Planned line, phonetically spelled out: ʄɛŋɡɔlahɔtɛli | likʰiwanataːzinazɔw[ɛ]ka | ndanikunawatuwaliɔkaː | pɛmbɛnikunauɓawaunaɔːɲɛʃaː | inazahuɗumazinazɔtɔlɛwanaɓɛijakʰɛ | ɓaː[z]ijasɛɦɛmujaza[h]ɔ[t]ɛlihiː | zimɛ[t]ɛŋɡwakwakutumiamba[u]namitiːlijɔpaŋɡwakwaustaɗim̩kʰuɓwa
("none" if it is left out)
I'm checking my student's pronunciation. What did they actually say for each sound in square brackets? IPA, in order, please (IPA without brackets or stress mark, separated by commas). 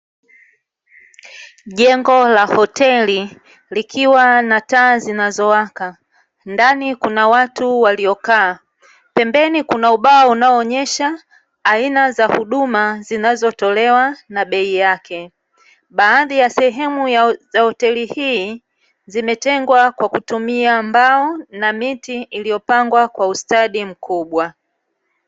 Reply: a, ð, h, t, t, ɔ